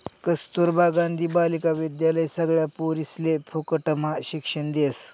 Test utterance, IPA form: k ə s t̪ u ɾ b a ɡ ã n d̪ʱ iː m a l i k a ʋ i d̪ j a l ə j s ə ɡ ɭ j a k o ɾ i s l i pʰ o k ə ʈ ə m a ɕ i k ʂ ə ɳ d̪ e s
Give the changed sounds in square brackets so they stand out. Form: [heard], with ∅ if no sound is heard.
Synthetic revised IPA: k ə s t̪ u ɾ b a ɡ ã n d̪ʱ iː [b] a l i k a ʋ i d̪ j a l ə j s ə ɡ ɭ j a [p] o ɾ i s l [e] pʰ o k ə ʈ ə m a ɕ i k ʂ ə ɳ d̪ e s